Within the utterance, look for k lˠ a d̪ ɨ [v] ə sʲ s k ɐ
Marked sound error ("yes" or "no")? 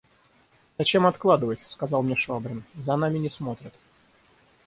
no